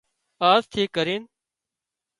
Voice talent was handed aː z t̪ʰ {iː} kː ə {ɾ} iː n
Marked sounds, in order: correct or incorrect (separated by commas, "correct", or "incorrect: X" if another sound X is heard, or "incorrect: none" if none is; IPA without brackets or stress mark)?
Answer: correct, correct